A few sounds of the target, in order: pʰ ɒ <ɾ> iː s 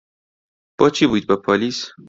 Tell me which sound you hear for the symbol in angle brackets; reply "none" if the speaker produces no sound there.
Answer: l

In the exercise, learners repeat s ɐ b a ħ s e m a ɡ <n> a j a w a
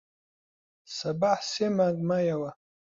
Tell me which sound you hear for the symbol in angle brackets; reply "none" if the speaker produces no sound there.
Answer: m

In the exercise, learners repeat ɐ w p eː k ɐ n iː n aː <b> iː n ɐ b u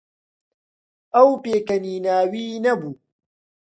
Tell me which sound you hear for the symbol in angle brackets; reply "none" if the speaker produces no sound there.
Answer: w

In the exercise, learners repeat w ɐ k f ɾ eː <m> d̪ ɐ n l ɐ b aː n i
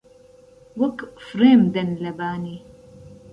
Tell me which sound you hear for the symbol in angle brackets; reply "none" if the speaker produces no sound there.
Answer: m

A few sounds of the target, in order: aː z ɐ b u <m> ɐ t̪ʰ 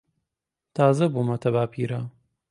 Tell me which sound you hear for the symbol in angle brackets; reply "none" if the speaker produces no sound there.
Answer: m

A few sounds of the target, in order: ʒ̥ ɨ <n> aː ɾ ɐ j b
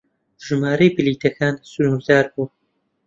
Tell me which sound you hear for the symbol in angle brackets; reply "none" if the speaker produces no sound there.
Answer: m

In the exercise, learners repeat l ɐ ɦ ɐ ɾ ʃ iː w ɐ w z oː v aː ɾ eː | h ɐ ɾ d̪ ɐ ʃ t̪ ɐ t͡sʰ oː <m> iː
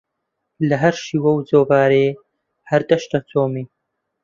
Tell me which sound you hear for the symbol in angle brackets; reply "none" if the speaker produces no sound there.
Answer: m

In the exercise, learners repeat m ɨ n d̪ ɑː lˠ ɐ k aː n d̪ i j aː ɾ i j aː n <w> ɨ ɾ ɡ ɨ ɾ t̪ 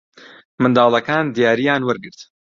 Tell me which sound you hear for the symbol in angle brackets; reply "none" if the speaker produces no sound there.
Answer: w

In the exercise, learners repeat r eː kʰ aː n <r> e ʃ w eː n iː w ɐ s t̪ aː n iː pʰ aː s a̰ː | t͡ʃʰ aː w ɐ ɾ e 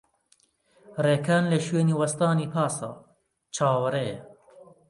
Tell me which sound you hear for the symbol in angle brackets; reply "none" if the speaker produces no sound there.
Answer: l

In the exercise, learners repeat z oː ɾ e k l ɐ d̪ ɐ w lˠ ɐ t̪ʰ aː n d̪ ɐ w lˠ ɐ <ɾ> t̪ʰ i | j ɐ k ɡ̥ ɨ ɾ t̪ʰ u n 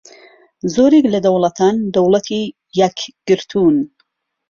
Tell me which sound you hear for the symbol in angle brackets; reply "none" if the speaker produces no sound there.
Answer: none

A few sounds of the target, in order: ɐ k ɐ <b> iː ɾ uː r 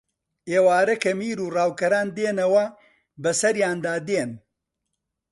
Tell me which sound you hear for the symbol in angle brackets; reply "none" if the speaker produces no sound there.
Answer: m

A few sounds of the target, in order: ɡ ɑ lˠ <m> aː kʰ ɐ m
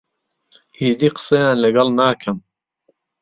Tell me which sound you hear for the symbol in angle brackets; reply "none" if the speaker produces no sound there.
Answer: n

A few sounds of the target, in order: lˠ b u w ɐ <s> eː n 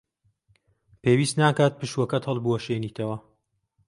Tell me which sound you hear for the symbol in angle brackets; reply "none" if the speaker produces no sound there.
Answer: ʃ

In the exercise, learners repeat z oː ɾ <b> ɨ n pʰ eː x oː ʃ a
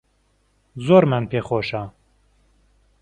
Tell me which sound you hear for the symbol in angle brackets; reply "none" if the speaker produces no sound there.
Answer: m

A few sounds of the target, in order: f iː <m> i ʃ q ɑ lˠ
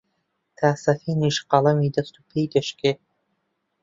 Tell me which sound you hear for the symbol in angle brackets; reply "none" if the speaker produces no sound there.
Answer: n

